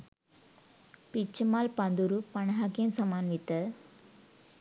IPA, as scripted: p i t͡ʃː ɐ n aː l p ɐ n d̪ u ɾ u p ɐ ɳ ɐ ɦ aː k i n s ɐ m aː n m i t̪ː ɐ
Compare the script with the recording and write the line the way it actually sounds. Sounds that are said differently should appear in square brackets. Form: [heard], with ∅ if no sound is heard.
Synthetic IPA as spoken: p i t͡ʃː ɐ [m] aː l p ɐ n d̪ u ɾ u p ɐ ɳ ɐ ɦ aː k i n s ɐ m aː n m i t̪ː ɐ